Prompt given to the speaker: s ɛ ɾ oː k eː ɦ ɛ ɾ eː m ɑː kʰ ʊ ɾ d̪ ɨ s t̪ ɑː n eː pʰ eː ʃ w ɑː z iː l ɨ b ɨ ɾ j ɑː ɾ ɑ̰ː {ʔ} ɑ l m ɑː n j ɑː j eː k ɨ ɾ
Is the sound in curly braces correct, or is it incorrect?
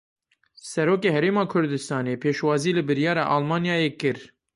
correct